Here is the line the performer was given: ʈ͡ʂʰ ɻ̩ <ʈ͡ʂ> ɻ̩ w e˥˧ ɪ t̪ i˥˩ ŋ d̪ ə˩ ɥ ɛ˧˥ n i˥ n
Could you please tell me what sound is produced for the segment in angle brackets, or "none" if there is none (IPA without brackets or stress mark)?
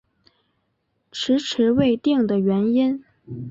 ʈ͡ʂʰ